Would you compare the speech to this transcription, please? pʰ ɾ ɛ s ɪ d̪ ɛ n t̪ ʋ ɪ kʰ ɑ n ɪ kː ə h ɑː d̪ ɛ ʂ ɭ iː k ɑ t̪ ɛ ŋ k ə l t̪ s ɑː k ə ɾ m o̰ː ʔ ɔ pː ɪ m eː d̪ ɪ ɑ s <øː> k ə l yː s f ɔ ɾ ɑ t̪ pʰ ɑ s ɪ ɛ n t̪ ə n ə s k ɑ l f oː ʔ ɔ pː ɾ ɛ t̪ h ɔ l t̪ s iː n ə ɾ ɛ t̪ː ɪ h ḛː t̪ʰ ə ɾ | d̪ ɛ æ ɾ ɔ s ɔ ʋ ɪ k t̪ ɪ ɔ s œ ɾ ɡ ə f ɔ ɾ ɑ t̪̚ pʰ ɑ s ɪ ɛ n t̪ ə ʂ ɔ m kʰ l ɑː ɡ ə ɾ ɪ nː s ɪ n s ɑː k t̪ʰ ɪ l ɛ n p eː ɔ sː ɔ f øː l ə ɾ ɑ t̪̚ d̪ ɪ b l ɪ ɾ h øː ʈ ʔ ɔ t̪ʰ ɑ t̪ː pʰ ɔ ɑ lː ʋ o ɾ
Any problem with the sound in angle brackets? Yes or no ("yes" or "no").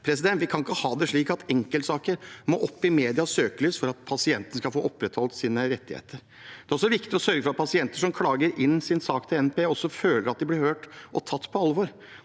no